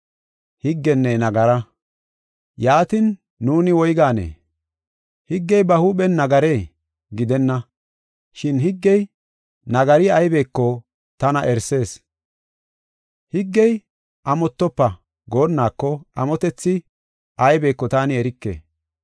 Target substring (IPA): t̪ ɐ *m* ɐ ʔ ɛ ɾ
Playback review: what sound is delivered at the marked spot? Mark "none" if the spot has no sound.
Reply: n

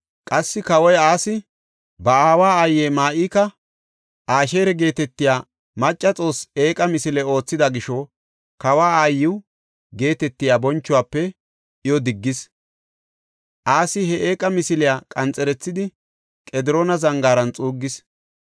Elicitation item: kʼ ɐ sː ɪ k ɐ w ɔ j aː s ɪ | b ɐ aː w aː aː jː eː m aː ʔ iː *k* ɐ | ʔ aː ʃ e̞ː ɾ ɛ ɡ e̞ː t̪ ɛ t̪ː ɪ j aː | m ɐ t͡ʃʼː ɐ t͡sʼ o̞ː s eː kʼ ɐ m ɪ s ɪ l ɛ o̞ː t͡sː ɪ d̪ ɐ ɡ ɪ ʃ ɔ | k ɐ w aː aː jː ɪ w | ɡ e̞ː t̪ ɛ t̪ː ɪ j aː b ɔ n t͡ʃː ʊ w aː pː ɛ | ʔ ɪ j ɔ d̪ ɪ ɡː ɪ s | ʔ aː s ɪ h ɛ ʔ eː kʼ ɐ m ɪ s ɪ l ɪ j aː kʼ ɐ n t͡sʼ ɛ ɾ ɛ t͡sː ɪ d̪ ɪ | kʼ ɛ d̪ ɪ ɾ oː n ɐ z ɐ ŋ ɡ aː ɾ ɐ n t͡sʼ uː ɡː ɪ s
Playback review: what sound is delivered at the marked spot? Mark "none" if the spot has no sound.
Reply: k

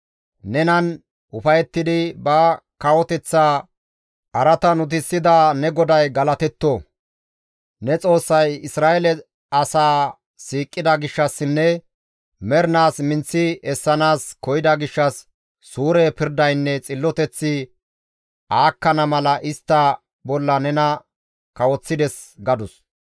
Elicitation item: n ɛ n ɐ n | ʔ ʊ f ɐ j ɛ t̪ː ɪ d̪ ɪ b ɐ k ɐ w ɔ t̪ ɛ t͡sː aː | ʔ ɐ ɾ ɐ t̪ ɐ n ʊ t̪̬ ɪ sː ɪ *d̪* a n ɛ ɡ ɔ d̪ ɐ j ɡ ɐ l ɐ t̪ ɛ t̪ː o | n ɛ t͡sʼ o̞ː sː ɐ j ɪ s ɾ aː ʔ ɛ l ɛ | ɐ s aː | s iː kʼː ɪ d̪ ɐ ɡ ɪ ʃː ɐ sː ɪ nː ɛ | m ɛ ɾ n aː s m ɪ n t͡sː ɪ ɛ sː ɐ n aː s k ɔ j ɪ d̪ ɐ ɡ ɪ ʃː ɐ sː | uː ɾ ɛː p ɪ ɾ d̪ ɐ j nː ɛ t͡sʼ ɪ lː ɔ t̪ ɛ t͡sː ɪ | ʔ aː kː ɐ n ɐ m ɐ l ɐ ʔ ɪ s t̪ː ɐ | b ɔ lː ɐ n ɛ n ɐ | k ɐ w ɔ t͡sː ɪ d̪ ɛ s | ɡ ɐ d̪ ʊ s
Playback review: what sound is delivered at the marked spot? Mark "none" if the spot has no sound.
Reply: d̪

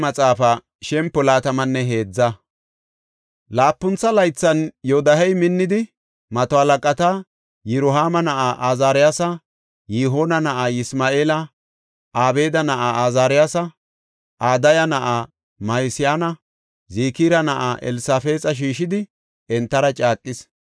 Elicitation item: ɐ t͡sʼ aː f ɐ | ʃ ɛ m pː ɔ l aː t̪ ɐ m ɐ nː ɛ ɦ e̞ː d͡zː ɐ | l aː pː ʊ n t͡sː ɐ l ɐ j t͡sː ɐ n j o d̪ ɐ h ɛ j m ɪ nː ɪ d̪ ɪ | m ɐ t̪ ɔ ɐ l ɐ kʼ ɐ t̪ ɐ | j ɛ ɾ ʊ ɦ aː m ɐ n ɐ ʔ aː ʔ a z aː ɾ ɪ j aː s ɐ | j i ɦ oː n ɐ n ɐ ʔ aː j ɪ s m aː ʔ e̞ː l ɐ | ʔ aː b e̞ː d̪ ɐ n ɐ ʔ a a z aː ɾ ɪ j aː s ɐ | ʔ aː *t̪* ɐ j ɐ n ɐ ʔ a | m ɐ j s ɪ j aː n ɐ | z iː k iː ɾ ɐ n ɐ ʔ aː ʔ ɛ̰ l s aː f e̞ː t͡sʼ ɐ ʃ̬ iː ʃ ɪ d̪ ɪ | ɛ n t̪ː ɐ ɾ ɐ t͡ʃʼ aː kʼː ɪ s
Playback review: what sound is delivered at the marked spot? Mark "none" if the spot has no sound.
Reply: d̪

